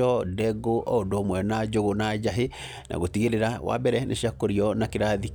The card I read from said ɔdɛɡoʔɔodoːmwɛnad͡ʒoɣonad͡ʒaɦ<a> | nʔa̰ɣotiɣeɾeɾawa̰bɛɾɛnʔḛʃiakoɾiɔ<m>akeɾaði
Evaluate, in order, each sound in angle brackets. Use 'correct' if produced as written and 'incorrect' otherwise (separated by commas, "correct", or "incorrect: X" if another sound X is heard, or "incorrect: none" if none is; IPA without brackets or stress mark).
incorrect: e, incorrect: n